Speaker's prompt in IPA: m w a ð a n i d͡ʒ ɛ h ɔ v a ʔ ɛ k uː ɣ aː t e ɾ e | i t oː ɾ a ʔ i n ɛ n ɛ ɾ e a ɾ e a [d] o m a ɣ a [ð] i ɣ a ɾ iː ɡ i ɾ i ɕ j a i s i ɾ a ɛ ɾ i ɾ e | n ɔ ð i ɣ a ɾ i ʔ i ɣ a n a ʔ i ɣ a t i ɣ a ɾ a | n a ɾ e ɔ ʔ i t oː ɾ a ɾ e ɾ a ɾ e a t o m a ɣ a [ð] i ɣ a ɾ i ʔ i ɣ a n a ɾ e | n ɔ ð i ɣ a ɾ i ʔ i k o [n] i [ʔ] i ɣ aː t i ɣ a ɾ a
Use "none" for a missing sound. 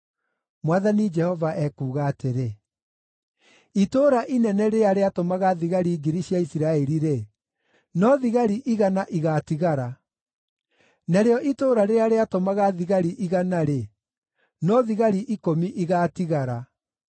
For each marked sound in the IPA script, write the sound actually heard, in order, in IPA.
t, ð, ð, m, ʔ

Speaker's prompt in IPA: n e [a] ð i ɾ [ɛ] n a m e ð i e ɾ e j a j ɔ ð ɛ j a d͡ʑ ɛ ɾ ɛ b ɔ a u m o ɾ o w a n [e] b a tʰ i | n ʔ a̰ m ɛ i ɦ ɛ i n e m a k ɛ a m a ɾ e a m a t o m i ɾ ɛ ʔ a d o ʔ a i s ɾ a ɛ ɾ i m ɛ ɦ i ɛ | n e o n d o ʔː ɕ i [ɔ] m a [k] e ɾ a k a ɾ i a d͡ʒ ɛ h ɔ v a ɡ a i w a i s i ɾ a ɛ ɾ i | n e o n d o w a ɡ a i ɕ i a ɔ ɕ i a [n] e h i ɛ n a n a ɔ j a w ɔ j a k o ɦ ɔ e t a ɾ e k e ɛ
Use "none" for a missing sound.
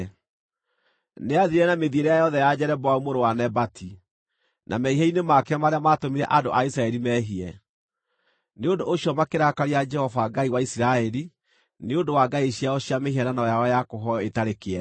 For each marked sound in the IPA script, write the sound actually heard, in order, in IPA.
a, ɛ, ɛ, ɔ, k, m

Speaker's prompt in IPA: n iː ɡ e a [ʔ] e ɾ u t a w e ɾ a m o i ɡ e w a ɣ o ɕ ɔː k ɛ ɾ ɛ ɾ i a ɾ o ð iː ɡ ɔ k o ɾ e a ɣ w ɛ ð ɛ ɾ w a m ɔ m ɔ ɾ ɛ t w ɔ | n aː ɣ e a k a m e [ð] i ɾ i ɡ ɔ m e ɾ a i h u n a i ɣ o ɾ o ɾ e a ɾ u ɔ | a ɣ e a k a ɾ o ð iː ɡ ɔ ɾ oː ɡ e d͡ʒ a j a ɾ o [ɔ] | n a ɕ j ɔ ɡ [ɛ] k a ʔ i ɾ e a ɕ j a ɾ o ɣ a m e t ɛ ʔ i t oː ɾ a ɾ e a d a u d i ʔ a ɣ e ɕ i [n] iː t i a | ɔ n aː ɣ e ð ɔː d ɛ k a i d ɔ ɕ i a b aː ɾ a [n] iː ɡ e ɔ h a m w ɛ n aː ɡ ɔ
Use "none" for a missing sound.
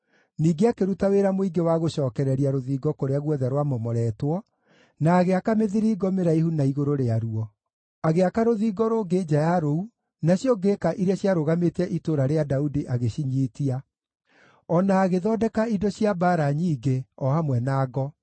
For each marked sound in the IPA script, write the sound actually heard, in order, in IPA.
k, ð, u, e, ɲ, ɲ

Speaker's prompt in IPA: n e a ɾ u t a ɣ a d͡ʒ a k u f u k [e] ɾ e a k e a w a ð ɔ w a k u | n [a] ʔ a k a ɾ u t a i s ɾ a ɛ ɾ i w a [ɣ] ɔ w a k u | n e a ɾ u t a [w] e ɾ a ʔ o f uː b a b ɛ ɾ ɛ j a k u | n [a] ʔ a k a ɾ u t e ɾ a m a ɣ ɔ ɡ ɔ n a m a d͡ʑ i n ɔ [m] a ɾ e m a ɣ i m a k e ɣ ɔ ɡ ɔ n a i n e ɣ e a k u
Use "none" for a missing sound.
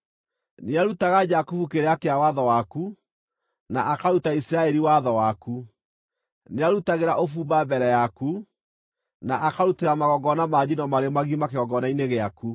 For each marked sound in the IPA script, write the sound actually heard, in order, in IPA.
e, a, ð, ɣ, a, m

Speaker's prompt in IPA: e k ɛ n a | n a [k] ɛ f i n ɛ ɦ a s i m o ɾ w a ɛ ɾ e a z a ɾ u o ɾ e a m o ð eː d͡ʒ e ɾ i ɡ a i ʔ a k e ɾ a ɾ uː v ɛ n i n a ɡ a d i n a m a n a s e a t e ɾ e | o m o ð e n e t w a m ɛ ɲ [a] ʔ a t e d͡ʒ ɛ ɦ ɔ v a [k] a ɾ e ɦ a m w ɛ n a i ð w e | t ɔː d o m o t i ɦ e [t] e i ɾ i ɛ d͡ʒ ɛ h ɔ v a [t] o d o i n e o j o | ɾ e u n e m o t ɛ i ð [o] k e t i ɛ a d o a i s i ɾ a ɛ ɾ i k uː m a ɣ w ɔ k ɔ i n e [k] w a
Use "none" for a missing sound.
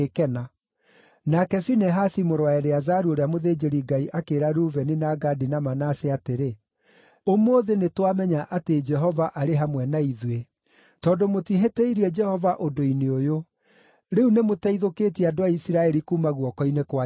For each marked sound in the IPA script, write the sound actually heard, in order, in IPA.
k, a, ʔ, t, ʔ, o, k

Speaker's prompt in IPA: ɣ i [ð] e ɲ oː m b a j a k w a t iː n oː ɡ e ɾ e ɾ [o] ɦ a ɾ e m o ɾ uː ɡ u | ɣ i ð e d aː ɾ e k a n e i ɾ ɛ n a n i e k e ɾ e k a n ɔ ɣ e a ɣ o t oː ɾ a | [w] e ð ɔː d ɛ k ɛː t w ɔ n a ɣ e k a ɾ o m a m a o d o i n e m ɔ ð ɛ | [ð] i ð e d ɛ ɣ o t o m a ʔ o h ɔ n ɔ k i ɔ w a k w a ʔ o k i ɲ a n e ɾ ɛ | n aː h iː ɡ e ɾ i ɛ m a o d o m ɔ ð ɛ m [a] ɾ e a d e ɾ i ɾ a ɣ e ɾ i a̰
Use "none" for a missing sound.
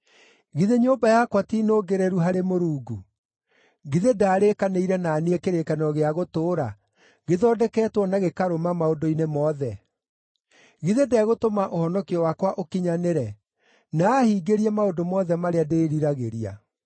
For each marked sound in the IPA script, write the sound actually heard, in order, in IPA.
ð, u, ɣ, ɣ, a

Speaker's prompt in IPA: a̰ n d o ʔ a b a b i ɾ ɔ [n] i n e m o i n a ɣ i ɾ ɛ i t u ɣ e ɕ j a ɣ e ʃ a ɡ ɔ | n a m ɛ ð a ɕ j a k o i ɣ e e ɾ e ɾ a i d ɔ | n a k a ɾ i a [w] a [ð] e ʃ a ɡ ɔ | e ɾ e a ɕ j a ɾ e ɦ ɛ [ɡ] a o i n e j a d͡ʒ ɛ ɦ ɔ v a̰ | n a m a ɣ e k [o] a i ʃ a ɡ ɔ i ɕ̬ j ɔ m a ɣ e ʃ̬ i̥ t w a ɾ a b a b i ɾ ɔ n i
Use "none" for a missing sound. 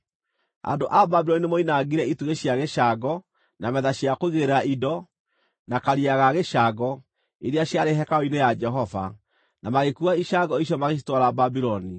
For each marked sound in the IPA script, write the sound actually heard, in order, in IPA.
n, ɣ, ɣ, k, u

